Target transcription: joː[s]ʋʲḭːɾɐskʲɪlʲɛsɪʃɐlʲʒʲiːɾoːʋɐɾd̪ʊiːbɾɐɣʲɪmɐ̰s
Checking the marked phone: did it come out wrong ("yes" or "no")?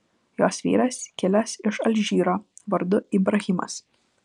no